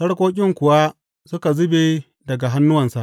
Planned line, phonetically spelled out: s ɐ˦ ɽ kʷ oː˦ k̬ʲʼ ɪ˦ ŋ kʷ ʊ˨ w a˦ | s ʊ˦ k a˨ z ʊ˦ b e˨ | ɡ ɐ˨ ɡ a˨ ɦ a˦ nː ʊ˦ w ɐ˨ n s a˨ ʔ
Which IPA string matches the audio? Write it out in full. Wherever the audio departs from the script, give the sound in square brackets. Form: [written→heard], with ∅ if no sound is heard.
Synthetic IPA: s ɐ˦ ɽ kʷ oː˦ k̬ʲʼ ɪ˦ ŋ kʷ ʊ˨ w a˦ | s ʊ˦ k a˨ z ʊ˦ b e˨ | [ɡ→d] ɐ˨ ɡ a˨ ɦ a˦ nː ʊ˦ w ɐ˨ n s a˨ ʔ